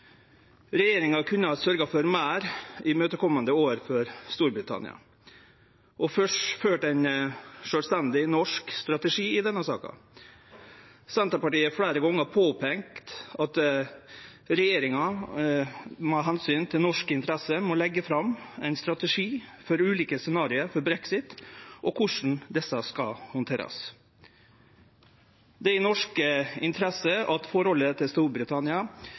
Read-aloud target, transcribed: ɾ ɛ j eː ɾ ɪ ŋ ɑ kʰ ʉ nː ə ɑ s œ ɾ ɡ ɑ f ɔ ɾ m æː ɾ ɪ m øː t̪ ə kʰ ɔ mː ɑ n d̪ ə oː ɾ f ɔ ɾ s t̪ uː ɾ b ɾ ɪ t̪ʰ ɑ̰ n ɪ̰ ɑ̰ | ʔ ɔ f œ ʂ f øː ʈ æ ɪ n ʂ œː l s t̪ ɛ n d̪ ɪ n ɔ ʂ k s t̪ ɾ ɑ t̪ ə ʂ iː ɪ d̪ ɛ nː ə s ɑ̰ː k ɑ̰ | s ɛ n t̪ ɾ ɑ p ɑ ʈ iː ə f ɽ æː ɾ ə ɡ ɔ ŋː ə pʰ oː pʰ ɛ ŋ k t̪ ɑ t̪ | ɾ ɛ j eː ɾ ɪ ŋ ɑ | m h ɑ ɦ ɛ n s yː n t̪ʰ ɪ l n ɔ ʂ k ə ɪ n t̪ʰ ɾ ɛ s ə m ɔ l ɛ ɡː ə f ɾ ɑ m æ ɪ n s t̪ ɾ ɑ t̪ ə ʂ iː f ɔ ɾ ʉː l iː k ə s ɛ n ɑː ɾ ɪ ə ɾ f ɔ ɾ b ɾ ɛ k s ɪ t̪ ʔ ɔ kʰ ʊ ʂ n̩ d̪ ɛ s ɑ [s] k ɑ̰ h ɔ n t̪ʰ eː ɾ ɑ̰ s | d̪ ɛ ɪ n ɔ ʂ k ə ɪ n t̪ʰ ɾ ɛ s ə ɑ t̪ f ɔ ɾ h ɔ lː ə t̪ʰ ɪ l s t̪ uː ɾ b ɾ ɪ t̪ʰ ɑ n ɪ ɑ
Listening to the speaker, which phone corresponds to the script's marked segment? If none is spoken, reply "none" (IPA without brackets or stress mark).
s